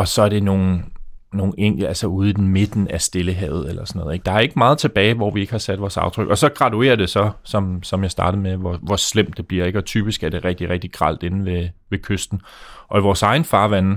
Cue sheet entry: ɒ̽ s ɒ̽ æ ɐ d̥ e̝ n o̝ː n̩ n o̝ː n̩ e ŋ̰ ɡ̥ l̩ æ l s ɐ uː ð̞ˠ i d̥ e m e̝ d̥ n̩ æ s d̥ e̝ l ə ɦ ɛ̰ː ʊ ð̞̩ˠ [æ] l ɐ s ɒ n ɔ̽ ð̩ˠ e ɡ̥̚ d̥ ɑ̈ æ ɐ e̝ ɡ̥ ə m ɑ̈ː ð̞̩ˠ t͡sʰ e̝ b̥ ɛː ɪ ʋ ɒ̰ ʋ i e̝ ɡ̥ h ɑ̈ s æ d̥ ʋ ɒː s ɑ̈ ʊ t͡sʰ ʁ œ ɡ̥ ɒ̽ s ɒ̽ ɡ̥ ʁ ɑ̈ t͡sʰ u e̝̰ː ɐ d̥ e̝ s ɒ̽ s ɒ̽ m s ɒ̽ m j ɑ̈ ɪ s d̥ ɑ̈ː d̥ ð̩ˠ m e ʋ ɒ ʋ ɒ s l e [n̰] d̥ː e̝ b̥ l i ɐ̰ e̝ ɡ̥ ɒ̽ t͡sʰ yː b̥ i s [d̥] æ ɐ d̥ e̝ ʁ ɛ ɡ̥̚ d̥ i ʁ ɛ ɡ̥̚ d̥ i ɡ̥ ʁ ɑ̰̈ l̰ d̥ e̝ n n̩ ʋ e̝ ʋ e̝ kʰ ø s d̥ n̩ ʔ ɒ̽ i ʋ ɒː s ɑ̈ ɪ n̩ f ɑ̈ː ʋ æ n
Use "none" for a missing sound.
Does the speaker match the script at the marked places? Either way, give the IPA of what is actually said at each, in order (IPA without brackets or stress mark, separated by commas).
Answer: e, m̰, ɡ̥